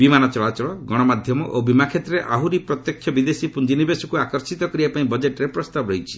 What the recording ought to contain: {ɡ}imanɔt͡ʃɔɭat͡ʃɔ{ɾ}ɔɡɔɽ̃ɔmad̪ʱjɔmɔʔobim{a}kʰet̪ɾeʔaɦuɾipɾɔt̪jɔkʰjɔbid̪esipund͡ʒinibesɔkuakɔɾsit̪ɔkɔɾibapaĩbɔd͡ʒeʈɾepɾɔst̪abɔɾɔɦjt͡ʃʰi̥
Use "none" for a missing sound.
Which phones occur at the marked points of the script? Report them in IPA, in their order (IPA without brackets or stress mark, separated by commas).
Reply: b, ɭ, a